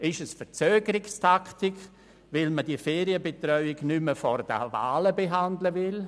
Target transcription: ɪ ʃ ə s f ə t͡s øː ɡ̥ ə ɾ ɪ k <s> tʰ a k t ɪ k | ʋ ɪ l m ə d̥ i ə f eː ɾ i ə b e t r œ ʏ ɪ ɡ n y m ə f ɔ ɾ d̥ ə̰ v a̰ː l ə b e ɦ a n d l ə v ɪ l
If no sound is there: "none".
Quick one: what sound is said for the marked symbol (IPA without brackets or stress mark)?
s